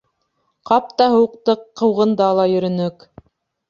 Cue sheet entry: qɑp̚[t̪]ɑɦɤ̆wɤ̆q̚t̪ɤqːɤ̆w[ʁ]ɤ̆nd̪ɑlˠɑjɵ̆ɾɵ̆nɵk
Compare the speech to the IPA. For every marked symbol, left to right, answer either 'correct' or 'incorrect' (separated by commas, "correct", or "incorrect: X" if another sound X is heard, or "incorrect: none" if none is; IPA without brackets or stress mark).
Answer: correct, correct